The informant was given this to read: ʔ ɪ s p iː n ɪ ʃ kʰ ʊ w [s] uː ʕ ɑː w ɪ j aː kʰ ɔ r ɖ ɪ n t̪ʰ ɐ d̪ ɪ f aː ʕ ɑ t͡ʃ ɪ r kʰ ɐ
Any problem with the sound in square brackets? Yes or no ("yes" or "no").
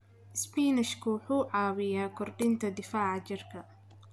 yes